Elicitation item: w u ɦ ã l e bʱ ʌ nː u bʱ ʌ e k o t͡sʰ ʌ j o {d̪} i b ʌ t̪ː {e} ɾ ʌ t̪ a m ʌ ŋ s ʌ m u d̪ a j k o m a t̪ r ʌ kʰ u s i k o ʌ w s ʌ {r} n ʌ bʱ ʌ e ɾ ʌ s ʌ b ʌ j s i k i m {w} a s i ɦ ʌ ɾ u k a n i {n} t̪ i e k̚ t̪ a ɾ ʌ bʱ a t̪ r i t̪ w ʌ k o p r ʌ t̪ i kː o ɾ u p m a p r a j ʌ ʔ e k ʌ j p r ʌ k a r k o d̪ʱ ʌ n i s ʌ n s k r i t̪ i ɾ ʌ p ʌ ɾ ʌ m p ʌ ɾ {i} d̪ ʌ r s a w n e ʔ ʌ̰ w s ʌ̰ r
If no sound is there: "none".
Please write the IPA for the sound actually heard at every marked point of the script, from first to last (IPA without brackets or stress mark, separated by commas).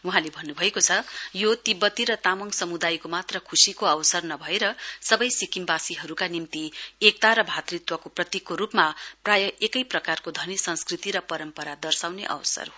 t̪, i, r, b, m, a